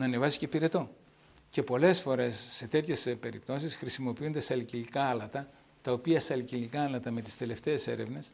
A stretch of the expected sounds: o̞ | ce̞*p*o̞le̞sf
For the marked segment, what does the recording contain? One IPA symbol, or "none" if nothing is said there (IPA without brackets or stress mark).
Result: p